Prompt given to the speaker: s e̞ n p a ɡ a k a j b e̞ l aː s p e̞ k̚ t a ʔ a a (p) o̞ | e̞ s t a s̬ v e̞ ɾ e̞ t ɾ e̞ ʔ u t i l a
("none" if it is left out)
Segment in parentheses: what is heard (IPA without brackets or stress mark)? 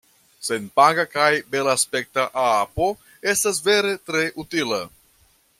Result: p